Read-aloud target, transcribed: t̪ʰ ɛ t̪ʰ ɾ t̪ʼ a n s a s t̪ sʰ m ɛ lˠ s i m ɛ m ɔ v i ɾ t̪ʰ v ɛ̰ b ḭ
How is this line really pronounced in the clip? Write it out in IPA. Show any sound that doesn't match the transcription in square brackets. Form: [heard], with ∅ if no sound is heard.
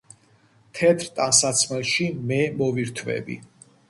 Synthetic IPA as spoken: t̪ʰ ɛ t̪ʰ ɾ t̪ʼ a n s a [∅] t̪ sʰ m ɛ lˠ [ʃ] i m ɛ m ɔ v i ɾ t̪ʰ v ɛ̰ b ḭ